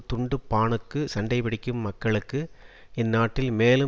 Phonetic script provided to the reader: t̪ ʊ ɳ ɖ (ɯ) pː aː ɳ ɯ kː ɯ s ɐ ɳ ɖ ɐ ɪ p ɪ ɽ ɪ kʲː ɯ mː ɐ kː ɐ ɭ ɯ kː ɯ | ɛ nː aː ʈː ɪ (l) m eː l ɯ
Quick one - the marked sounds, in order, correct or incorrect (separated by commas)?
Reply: correct, correct